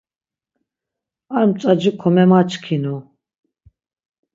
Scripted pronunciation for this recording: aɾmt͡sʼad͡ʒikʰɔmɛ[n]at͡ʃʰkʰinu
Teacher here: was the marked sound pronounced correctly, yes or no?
no